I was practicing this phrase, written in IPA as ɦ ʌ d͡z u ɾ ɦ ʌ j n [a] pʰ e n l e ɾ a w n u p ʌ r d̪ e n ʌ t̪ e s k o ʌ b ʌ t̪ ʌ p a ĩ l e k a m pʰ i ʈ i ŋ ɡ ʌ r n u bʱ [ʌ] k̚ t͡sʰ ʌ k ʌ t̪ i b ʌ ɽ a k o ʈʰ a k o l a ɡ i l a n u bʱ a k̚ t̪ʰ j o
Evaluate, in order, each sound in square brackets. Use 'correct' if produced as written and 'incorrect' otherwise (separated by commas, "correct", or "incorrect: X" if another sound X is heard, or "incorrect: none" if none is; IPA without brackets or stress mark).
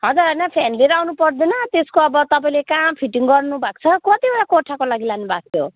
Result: incorrect: ʌ, incorrect: a